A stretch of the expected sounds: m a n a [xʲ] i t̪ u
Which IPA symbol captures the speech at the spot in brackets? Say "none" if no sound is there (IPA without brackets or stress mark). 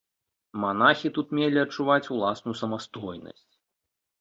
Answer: xʲ